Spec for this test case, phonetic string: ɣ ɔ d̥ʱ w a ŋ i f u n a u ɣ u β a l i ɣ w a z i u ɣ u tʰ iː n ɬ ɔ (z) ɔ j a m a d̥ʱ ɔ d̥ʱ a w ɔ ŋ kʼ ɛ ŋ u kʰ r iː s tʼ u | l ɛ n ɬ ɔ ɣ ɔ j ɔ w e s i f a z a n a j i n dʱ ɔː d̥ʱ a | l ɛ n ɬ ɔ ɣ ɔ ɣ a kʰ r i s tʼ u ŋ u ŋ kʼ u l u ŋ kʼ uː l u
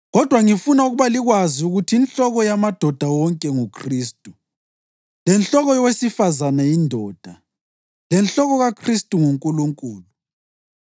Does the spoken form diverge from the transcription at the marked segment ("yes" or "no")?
yes